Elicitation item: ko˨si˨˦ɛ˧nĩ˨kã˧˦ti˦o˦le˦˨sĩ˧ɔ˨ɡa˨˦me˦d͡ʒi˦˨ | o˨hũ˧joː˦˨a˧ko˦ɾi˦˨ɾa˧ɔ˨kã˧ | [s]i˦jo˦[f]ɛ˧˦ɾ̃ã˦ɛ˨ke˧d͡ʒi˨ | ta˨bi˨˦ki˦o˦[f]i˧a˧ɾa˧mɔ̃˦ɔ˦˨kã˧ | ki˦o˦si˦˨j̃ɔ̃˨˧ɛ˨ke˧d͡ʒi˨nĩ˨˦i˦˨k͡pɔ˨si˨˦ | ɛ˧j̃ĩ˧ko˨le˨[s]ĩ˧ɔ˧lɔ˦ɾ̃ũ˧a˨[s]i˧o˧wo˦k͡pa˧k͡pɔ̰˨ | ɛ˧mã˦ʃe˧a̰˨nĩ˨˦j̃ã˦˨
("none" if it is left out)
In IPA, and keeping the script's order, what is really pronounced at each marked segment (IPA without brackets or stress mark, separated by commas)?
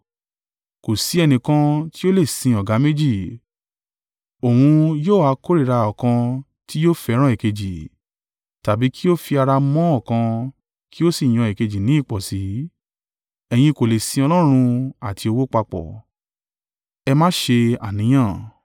t, f, f, s, t